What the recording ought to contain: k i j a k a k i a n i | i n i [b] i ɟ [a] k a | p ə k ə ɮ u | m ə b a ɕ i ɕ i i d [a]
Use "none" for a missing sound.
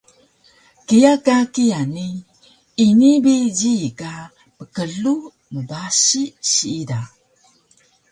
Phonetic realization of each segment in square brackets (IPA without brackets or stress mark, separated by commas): b, i, a